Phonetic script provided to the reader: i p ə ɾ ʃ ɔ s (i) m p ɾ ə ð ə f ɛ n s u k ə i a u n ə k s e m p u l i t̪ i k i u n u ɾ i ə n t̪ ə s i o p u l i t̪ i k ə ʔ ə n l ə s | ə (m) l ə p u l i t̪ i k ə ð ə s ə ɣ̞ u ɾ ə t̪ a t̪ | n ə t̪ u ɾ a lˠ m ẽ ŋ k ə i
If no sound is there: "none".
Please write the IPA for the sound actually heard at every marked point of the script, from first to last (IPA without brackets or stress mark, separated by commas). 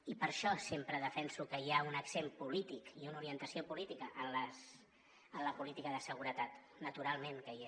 e, n